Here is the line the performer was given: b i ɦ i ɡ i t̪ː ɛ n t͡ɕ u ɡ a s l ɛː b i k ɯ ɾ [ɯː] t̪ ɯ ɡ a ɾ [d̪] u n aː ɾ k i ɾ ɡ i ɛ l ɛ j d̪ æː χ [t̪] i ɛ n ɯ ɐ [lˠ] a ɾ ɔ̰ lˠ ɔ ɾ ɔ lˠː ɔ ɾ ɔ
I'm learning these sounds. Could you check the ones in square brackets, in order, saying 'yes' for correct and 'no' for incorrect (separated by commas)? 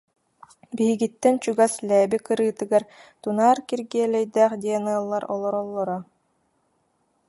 yes, no, no, no